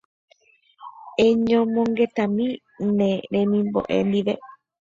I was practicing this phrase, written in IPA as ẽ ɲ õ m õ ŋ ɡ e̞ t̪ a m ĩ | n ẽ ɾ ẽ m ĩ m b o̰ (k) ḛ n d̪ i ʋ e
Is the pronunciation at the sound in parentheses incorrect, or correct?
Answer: incorrect: ʔ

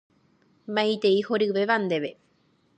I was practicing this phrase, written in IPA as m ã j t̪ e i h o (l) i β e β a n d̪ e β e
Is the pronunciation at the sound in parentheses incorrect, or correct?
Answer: incorrect: ɾ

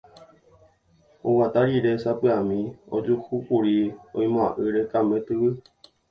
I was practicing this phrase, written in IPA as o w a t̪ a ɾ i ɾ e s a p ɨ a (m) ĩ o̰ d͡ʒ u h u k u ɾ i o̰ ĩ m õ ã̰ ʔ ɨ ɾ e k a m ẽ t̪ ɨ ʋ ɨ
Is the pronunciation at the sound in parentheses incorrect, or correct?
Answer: correct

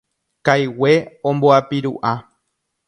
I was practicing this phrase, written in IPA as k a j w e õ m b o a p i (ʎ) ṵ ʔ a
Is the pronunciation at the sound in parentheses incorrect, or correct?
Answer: incorrect: ɾ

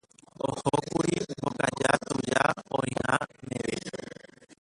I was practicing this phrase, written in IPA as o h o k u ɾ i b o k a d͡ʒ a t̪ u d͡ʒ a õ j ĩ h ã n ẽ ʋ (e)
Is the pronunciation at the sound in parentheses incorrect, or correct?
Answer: correct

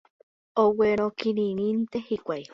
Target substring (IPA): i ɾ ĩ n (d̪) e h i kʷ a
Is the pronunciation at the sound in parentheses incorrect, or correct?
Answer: incorrect: t̪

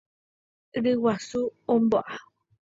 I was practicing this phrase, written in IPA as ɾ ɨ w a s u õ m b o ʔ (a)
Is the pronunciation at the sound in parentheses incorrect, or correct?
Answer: correct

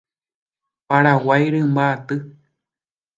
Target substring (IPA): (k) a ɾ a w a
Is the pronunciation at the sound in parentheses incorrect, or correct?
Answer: incorrect: p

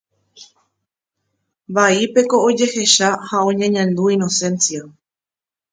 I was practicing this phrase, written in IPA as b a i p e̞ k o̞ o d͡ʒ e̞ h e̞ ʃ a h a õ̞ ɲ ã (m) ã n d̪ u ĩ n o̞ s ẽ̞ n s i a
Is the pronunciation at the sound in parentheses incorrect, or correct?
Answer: incorrect: ɲ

